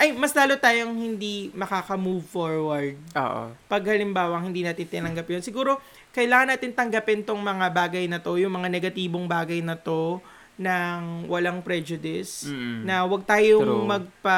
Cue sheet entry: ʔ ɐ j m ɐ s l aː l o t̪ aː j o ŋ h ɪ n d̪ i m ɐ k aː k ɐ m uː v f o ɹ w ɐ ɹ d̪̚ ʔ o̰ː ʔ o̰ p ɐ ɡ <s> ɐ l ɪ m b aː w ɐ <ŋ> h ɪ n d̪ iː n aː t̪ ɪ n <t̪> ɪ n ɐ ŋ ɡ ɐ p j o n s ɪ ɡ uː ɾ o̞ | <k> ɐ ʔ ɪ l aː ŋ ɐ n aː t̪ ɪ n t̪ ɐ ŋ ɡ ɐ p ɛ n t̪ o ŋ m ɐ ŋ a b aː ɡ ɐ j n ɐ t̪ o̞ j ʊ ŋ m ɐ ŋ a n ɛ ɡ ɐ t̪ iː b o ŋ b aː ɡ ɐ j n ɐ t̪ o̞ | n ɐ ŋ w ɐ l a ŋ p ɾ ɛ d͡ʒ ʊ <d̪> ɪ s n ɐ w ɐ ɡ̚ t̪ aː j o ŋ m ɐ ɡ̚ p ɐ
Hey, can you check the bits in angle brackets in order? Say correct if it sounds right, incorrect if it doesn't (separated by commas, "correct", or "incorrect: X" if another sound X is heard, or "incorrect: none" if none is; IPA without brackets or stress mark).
incorrect: h, correct, correct, correct, correct